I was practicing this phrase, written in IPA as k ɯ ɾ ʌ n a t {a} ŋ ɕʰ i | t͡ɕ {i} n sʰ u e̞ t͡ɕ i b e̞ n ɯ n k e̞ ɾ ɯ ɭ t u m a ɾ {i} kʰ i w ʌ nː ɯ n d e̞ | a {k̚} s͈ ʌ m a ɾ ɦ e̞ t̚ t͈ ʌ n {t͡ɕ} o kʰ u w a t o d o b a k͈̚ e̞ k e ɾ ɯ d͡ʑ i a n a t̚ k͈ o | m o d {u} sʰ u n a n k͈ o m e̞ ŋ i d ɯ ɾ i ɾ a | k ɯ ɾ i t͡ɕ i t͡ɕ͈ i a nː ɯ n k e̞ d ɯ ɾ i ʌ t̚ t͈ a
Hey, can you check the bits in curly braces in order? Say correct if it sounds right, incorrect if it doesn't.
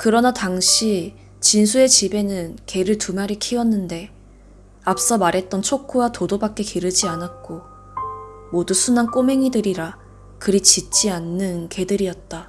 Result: correct, correct, correct, incorrect: p̚, incorrect: t͡ɕʰ, correct

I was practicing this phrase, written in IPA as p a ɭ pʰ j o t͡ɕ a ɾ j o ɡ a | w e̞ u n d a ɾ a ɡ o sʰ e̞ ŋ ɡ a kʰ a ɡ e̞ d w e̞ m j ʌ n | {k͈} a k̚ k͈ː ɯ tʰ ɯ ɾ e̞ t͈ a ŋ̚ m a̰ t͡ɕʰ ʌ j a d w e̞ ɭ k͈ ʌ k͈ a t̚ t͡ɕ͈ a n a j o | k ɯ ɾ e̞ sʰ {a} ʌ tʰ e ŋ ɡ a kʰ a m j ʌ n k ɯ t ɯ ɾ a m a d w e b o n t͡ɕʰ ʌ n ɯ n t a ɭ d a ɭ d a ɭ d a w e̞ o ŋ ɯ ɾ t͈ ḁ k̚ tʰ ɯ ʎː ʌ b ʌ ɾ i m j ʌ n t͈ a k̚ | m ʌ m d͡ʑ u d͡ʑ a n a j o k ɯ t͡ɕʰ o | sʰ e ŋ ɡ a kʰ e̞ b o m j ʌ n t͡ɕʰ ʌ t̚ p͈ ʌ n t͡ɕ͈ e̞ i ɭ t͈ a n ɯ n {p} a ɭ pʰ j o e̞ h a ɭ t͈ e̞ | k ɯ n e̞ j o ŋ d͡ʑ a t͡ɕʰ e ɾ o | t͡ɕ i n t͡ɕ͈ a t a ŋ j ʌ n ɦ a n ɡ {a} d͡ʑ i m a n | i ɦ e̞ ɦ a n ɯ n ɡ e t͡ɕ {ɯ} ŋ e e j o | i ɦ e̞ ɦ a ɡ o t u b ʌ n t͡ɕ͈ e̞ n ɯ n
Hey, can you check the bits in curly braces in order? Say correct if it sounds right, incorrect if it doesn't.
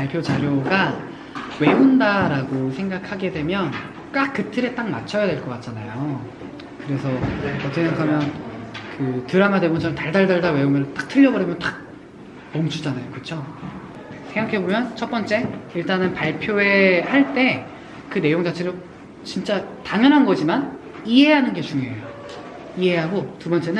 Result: correct, incorrect: ʌ, correct, incorrect: ʌ, incorrect: u

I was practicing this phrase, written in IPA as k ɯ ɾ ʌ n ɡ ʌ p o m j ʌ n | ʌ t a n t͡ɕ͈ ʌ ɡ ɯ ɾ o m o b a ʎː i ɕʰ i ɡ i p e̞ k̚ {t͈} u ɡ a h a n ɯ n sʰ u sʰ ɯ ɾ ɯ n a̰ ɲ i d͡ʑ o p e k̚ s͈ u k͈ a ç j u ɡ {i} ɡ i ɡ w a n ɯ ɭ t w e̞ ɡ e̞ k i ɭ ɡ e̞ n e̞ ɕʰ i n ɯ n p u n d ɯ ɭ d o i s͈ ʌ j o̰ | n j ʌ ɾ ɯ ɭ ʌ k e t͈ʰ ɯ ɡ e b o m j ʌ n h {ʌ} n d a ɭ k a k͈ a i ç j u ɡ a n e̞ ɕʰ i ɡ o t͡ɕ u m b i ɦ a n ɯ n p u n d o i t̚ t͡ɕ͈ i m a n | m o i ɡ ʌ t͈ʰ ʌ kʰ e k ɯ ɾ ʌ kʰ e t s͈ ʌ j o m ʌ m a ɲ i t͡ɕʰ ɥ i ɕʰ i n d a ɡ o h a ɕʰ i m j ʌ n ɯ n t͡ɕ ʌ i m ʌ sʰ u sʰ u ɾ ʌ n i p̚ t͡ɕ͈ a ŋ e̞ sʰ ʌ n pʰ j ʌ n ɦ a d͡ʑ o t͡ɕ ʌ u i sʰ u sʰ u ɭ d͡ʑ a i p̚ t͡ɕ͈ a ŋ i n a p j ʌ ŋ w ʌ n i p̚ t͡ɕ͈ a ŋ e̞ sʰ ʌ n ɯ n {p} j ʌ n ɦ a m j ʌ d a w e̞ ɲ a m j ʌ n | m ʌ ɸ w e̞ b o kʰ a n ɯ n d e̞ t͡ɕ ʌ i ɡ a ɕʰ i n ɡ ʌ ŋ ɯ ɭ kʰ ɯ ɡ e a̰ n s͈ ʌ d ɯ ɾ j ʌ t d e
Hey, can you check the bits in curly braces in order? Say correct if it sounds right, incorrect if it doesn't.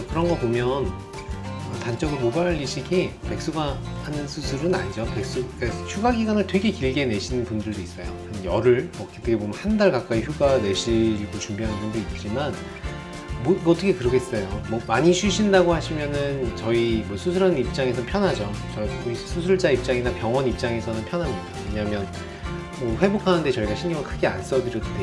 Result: incorrect: s͈, incorrect: a, incorrect: a, incorrect: pʰ

